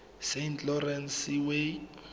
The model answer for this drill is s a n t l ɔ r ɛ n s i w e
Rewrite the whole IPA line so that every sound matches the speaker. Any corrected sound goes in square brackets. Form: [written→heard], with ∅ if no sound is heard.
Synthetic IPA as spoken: s [a→e] n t l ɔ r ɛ n s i w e